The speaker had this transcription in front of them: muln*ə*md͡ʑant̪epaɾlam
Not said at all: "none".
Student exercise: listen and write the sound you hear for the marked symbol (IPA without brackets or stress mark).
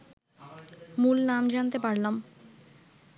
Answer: a